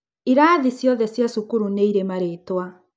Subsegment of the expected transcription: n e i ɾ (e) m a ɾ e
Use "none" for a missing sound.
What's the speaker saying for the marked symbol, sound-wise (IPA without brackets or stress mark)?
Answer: e